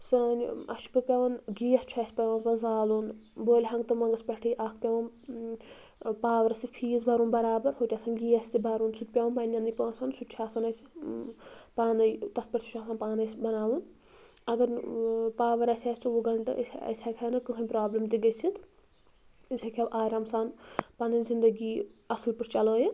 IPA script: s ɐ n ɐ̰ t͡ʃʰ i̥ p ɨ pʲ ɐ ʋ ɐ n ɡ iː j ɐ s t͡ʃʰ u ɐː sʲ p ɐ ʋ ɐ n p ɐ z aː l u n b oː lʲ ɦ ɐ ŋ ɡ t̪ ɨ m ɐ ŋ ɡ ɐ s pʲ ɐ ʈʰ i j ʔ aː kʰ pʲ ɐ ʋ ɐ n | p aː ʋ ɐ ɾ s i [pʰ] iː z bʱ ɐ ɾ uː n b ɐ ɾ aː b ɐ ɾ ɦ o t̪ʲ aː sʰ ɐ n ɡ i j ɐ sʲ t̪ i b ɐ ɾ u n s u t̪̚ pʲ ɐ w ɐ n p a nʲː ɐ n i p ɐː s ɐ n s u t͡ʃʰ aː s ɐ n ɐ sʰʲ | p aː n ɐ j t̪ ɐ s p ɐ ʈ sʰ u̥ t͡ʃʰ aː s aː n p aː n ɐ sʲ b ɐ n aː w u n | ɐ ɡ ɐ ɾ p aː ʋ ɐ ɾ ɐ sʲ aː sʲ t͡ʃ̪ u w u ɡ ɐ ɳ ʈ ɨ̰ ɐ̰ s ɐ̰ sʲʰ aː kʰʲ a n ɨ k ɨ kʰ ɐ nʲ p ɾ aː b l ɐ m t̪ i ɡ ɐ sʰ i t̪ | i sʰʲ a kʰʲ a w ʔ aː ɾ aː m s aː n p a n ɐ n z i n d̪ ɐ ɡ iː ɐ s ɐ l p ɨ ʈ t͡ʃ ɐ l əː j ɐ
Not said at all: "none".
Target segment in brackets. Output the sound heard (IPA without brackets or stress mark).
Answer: pʰ